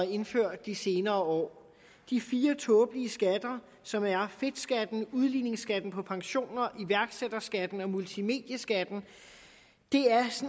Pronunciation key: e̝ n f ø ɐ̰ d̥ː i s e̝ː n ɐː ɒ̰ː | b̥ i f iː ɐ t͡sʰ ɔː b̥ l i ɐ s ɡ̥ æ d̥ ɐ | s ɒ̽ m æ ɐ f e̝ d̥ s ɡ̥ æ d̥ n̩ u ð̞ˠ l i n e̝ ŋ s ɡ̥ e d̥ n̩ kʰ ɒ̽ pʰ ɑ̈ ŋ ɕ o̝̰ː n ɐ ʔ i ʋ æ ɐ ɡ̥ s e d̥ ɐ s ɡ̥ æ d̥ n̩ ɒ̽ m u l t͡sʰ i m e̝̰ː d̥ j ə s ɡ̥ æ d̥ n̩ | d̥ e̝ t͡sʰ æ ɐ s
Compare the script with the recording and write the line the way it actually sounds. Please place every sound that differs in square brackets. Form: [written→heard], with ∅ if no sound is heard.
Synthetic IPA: e̝ n f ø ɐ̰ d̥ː i s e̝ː n ɐː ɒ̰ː | [b̥→d̥] i f iː ɐ t͡sʰ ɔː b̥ l i [ɐ→ə] s ɡ̥ æ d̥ ɐ | s ɒ̽ m æ ɐ f e̝ d̥ s ɡ̥ æ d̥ n̩ u ð̞ˠ l i n e̝ ŋ s ɡ̥ [e→æ] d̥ n̩ [kʰ→pʰ] ɒ̽ pʰ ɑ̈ ŋ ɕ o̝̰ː n ɐ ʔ i ʋ æ ɐ ɡ̥ s e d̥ ɐ s ɡ̥ æ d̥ n̩ ɒ̽ m u l t͡sʰ i m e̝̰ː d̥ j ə s ɡ̥ æ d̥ n̩ | d̥ e̝ [t͡sʰ→∅] æ ɐ s

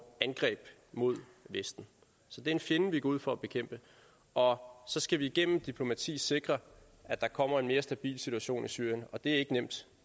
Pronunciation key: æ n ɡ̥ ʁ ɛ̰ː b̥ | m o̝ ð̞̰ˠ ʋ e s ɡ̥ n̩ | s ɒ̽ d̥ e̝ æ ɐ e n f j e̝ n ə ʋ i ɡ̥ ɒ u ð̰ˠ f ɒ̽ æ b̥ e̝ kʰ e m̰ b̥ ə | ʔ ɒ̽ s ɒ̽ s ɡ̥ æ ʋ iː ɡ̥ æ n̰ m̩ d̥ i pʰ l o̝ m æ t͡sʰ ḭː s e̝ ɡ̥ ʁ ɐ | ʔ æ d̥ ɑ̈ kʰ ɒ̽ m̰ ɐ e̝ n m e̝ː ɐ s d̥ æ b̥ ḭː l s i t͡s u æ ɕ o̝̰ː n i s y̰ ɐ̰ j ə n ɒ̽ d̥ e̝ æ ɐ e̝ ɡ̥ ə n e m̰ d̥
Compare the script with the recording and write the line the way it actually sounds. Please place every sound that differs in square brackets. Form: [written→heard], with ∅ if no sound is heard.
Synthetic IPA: æ n ɡ̥ ʁ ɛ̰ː b̥ | m o̝ ð̞̰ˠ ʋ e s [ɡ̥→d̥] n̩ | s ɒ̽ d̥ e̝ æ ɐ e n f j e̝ n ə ʋ i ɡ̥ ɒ u ð̰ˠ f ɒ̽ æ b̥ e̝ kʰ e m̰ b̥ ə | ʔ ɒ̽ s ɒ̽ s ɡ̥ æ ʋ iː ɡ̥ [æ→e] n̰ m̩ d̥ i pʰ l o̝ m æ t͡sʰ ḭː s e̝ ɡ̥ ʁ ɐ | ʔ æ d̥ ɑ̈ kʰ ɒ̽ m̰ ɐ e̝ n m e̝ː ɐ s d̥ æ b̥ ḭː l s i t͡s u æ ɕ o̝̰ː n i s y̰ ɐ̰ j ə n ɒ̽ d̥ e̝ æ ɐ e̝ ɡ̥ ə n e m̰ d̥

